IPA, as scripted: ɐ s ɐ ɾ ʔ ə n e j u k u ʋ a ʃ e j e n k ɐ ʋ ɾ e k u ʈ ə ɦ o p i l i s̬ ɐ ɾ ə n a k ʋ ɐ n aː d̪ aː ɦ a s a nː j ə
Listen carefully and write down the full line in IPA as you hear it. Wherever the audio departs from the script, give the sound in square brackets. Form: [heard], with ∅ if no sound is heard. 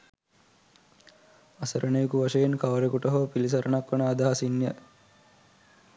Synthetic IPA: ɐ s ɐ ɾ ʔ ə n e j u k u ʋ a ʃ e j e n k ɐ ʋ ɾ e k u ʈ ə ɦ o p i l i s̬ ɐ ɾ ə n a k ʋ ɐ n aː d̪ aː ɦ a s [i] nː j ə